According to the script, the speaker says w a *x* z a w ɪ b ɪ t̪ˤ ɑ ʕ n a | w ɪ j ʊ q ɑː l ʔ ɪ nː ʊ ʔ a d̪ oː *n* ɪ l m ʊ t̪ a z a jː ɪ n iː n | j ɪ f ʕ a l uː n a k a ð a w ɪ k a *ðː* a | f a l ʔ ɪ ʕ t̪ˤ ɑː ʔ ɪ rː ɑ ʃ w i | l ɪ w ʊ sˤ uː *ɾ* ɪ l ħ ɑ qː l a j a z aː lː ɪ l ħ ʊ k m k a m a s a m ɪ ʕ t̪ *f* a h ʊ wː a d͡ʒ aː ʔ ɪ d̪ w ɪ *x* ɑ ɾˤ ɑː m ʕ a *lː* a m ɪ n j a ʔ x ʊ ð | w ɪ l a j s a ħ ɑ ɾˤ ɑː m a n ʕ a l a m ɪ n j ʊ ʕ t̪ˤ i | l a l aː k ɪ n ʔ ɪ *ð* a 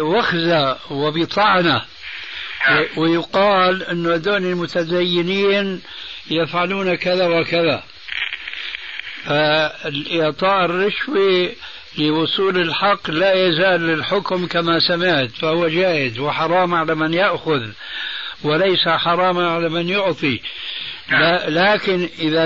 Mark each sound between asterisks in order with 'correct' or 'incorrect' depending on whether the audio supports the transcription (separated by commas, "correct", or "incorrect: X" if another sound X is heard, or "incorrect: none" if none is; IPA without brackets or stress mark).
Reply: correct, correct, incorrect: ð, incorrect: l, correct, incorrect: ħ, incorrect: l, correct